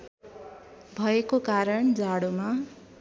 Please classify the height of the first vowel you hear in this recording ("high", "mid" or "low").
mid